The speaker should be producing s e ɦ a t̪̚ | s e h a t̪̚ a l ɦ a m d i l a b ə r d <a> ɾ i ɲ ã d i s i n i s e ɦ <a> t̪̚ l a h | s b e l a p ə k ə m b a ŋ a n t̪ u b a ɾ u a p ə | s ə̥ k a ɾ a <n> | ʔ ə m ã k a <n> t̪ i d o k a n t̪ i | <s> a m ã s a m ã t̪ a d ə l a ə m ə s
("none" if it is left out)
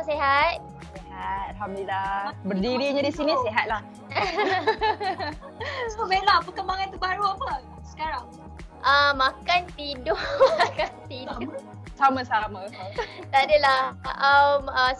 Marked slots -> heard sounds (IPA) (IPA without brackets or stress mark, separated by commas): i, a, ŋ, n, s